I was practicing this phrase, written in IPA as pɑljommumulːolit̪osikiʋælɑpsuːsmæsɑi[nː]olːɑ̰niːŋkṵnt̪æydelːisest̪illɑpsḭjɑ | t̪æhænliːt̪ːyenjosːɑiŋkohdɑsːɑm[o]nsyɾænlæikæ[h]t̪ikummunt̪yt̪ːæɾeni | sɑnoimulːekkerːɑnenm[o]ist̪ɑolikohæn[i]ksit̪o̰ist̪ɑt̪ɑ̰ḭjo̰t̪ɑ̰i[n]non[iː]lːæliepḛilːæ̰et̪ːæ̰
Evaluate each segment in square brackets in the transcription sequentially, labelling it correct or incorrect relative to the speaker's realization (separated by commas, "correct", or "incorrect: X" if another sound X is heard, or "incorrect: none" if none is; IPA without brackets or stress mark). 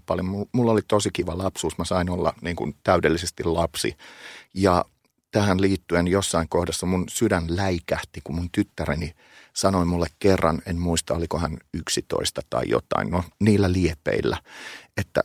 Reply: incorrect: n, incorrect: u, correct, incorrect: u, incorrect: y, correct, correct